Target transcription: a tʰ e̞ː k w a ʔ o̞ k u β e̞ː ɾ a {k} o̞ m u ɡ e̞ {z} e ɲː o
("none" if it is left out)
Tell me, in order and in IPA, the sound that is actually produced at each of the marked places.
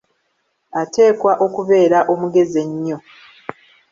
ʔ, z

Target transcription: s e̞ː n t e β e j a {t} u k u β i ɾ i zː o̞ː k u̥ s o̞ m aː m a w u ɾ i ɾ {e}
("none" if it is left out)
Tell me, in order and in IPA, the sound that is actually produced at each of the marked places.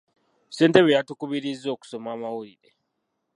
t, e

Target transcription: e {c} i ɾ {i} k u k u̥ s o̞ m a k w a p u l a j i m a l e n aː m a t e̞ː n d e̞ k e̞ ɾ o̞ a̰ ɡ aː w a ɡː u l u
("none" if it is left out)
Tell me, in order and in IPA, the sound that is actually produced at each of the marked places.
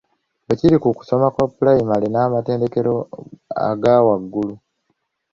c, i

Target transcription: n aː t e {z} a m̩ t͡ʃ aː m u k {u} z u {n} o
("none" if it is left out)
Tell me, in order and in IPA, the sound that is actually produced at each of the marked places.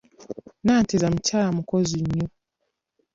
z, ɔ, ɲ

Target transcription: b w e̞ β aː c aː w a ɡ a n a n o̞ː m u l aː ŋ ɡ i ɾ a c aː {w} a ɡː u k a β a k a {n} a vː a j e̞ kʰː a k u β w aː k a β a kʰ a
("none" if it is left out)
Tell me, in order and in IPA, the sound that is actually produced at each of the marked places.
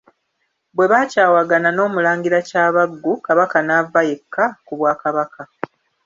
β, n

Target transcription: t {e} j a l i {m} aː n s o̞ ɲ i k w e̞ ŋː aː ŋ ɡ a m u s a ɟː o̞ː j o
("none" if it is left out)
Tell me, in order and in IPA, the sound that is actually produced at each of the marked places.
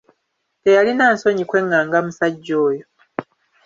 e, n

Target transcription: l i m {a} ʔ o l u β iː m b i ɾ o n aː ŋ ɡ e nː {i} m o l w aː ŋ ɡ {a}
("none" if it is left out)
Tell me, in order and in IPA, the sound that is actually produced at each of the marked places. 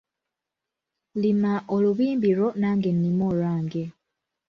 a, i, e

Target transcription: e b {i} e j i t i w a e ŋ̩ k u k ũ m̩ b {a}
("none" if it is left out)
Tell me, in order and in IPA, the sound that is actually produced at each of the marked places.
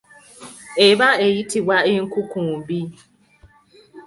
a, i

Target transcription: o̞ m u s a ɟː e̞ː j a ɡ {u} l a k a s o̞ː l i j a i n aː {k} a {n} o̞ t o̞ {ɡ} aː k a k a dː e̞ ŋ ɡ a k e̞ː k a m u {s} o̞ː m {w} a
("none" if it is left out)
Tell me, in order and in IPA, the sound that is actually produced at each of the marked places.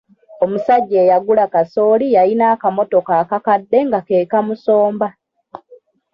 u, k, m, k, s, b

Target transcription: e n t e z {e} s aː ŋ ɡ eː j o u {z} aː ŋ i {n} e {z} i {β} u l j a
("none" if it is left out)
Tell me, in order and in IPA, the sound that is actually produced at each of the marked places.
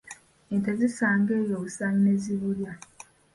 i, s, n, z, β

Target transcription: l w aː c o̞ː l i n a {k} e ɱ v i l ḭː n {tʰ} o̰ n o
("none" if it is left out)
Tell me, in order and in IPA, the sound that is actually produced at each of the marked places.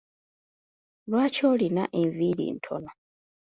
ʔ, tʰ

